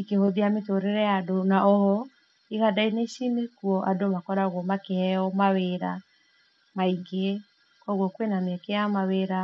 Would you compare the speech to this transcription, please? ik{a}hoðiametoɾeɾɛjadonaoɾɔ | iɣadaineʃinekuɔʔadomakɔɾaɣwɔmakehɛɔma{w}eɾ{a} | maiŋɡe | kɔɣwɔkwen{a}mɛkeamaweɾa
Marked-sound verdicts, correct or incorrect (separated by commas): incorrect, correct, correct, correct